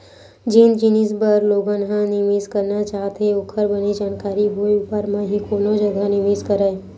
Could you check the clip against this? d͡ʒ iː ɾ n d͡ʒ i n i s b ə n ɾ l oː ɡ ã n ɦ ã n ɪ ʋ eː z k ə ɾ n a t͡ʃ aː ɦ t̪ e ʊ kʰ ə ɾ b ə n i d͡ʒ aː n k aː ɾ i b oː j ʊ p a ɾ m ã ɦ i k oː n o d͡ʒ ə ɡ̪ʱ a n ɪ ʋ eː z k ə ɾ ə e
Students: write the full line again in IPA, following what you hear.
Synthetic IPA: d͡ʒ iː n d͡ʒ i n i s b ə ɾ l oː ɡ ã n ɦ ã n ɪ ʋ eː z k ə ɾ n a t͡ʃ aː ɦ t̪ e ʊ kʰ ə ɾ b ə n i d͡ʒ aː n k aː ɾ i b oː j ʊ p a ɾ m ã ɦ i k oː n o d͡ʒ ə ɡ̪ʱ a n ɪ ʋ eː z k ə ɾ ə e